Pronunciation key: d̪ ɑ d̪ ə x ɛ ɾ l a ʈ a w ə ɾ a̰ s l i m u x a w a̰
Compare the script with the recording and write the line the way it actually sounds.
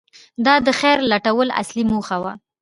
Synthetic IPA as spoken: d̪ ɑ d̪ ə x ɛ ɾ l a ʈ a w ə l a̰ s l i m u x a w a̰